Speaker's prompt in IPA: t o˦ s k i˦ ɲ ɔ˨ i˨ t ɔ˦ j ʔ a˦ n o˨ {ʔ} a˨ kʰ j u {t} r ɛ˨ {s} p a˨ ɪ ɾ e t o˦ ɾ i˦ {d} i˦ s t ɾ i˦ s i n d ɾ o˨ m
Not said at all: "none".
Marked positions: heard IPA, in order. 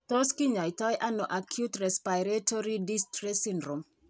ʔ, t, s, d

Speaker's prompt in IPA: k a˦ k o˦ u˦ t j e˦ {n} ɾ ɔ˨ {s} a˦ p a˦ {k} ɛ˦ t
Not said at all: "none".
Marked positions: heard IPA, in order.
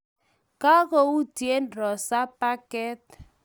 n, s, k

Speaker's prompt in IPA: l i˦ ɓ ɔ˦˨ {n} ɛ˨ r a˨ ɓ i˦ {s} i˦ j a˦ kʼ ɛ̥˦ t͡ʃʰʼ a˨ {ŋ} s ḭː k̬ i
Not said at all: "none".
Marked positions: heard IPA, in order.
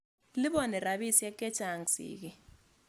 n, s, ŋ

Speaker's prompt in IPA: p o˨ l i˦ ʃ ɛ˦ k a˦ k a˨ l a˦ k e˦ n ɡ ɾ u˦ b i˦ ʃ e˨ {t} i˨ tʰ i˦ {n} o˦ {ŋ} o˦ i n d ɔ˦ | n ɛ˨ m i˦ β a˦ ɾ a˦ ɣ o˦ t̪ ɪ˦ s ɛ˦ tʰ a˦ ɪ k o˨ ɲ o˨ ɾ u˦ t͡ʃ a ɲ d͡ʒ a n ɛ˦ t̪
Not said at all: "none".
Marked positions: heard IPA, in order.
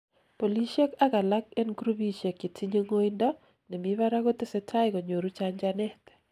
k, ɲ, ŋ

